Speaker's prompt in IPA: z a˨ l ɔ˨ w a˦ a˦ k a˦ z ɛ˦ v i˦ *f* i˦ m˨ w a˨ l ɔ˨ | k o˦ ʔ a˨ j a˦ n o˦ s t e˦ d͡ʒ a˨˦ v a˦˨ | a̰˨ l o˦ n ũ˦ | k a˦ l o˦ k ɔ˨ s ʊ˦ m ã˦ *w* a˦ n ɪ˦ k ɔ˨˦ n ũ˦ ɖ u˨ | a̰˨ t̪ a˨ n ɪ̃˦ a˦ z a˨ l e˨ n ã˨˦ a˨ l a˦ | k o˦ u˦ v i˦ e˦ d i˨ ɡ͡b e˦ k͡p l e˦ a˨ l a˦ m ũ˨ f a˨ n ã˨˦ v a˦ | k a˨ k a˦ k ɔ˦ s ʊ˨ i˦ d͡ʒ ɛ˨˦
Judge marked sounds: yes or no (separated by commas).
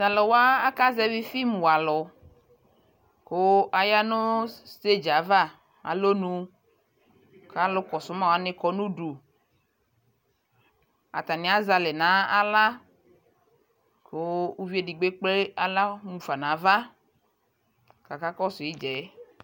yes, yes